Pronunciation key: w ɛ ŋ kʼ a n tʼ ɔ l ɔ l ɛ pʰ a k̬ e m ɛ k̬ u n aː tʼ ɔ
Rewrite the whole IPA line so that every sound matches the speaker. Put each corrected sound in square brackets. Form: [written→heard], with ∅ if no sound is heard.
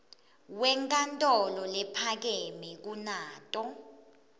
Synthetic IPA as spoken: w ɛ ŋ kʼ a n tʼ ɔ l ɔ l ɛ pʰ a k̬ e m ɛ k̬ u n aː tʼ ɔ